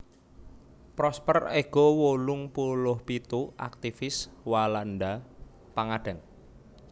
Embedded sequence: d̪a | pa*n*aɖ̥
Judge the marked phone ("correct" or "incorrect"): incorrect